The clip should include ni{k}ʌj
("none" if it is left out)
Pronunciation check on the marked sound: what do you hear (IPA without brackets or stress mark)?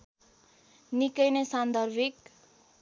k